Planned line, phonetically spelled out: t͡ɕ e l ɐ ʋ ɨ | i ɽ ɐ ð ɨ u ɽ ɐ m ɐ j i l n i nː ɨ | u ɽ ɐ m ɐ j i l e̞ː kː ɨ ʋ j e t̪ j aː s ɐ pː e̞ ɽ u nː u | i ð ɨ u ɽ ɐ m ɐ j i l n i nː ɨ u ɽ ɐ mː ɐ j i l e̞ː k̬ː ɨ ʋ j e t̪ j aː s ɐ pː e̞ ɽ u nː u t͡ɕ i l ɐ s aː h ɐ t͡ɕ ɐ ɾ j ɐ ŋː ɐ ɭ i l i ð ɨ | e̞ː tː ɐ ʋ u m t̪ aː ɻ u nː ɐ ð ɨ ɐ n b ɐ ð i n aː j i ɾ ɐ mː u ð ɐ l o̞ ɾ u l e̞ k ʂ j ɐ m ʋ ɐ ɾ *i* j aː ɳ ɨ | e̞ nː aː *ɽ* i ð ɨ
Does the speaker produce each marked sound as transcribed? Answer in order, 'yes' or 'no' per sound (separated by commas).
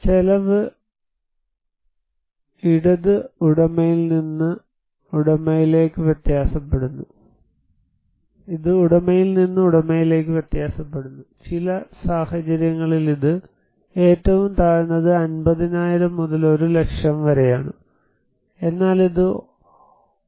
no, no